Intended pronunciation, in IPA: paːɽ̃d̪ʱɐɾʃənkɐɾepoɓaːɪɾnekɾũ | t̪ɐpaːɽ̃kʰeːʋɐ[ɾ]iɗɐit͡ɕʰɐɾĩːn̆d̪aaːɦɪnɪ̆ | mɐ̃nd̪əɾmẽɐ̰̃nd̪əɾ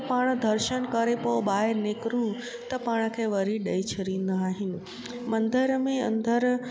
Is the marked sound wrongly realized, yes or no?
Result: no